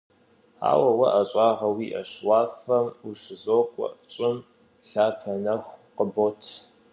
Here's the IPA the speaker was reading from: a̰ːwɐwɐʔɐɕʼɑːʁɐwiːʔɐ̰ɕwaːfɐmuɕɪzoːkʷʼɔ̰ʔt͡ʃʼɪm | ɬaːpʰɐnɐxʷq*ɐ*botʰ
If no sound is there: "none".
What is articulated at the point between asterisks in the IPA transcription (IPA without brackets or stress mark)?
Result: ə